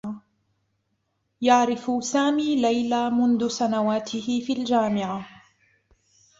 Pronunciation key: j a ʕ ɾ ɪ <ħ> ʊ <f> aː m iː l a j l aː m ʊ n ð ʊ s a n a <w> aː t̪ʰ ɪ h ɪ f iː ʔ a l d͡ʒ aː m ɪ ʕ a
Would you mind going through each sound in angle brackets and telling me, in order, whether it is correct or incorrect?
incorrect, incorrect, correct

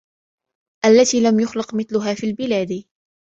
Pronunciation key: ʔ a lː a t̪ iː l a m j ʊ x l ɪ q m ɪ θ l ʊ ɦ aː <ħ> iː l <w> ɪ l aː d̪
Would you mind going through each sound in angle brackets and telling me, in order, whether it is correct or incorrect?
incorrect, incorrect

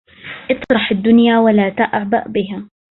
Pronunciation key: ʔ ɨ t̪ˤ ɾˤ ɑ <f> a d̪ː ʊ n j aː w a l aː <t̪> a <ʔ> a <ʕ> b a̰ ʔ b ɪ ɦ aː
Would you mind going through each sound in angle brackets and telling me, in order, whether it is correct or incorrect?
incorrect, correct, correct, correct

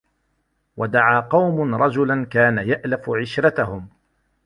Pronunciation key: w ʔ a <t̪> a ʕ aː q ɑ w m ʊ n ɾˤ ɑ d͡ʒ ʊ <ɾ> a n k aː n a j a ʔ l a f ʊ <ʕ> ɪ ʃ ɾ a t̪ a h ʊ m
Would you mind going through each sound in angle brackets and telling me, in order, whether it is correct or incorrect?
incorrect, incorrect, correct

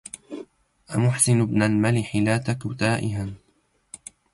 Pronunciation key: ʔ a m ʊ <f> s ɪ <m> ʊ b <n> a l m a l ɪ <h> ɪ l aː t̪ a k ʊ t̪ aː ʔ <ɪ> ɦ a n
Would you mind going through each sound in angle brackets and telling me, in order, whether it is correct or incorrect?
incorrect, incorrect, correct, incorrect, correct

